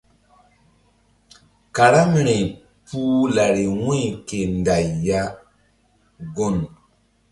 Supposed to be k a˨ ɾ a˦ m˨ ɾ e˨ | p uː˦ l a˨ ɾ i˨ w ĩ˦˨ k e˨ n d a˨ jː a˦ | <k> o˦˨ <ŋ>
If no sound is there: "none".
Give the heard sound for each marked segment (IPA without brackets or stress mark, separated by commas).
ɡ, n